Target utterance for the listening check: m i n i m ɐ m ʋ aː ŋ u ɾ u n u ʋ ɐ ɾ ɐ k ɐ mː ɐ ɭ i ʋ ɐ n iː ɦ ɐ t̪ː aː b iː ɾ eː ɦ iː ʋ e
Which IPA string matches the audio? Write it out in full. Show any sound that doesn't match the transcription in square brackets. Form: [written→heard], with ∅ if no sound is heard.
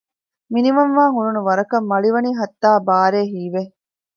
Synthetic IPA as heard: m i n i m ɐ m ʋ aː ŋ u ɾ u n u ʋ ɐ ɾ ɐ k ɐ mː ɐ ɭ i ʋ ɐ n iː ɦ ɐ t̪ː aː b [iː→aː] ɾ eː ɦ iː ʋ e